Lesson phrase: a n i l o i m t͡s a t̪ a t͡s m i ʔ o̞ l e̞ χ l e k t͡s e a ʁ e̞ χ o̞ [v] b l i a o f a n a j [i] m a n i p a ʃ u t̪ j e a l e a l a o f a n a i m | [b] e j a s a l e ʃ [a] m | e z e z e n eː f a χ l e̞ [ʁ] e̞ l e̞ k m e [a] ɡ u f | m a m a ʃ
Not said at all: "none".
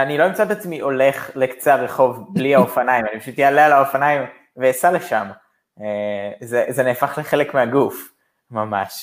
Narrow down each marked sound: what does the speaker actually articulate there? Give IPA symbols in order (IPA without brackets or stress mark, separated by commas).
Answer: v, i, v, a, χ, a